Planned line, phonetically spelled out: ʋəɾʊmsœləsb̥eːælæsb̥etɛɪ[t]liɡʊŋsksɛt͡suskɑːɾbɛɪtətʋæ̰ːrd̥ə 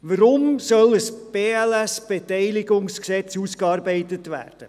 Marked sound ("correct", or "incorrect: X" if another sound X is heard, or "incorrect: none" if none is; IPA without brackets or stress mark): incorrect: none